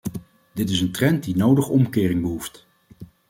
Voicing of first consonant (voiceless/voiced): voiced